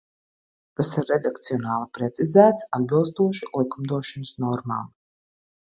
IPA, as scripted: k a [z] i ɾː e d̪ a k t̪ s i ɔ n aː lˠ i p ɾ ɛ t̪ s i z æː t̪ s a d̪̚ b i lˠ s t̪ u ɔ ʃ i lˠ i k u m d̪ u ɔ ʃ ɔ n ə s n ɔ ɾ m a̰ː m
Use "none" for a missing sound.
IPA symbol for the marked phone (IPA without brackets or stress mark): s